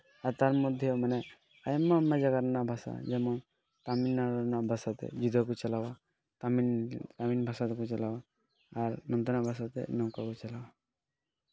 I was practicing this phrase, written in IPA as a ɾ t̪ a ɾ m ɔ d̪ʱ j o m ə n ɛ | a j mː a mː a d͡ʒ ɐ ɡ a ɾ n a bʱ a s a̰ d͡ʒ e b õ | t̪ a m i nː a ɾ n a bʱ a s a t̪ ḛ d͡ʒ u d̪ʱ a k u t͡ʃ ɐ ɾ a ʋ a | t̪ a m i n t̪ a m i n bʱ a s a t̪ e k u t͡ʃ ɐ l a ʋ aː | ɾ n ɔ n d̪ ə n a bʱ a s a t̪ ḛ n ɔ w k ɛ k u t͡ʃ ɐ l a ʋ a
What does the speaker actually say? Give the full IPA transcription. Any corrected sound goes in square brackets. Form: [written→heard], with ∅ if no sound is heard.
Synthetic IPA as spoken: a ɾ t̪ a ɾ m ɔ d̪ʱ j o m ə n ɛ | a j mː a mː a d͡ʒ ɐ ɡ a ɾ n a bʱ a s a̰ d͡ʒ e [b→m] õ | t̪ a m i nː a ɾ n a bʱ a s a t̪ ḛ d͡ʒ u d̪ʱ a k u t͡ʃ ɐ [ɾ→l] a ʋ a | t̪ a m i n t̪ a m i n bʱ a s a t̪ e k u t͡ʃ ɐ l a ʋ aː | ɾ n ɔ n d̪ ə n a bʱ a s a t̪ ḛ n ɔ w k [ɛ→a] k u t͡ʃ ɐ l a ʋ a